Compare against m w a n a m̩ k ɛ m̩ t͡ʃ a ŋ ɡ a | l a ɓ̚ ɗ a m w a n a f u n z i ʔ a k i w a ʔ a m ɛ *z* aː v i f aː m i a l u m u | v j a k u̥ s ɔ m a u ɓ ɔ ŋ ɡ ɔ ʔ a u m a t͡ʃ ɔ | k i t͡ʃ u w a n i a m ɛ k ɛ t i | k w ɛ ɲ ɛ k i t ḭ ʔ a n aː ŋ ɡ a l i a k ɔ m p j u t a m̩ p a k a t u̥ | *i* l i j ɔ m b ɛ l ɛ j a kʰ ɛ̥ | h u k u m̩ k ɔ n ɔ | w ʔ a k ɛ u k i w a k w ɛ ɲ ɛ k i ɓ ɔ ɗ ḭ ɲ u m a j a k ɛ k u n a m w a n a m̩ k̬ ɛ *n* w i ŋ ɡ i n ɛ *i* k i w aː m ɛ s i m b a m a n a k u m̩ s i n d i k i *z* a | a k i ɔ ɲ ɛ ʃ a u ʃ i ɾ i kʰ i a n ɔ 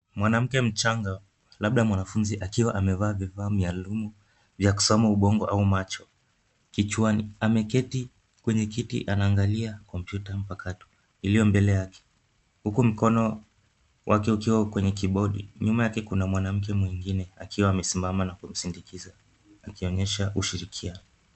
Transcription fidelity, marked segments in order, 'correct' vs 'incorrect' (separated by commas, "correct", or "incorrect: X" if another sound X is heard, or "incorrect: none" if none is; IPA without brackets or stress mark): incorrect: v, correct, incorrect: m, incorrect: a, correct